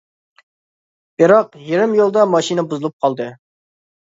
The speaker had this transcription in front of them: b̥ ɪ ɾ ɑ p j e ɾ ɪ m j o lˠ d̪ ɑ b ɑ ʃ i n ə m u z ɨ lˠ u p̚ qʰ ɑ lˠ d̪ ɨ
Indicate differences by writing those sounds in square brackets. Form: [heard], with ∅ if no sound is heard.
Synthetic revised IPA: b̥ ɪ ɾ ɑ [q] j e ɾ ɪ m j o lˠ d̪ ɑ [m] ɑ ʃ i n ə [b] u z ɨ lˠ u p̚ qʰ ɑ lˠ d̪ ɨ